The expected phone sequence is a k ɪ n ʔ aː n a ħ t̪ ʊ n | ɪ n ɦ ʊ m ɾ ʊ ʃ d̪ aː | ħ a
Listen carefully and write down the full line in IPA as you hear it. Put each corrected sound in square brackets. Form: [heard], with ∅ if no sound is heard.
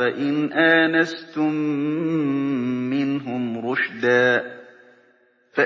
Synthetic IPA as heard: a [ʔ] ɪ n ʔ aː n a [s] t̪ ʊ [m] | ɪ n ɦ ʊ m ɾ ʊ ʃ d̪ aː | [f] a

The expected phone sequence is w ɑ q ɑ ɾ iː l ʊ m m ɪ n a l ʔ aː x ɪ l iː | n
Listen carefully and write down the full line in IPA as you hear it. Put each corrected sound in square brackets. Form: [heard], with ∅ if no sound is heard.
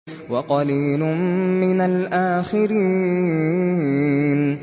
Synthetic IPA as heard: w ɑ q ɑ [l] iː l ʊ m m ɪ n a l ʔ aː x ɪ [ɾ] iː | n

